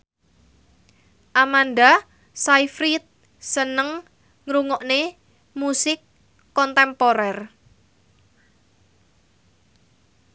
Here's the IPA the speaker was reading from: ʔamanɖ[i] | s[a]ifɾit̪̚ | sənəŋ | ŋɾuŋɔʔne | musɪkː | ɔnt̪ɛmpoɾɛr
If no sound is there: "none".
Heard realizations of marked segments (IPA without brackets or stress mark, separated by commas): a, a